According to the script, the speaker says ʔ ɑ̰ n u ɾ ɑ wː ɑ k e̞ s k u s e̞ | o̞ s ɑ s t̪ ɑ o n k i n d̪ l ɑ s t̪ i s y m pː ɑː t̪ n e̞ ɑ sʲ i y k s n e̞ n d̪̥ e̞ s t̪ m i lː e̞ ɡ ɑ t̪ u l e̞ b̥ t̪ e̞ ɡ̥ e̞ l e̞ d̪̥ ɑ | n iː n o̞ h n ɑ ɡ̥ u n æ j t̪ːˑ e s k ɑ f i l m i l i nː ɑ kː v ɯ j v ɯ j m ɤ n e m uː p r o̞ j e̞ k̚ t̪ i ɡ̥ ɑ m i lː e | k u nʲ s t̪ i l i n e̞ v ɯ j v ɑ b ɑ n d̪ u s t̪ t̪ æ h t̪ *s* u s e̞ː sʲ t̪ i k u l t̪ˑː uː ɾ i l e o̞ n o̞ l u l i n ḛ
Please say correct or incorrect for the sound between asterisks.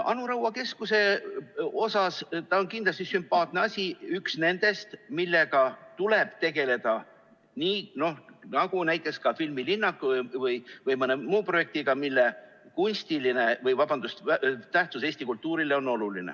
correct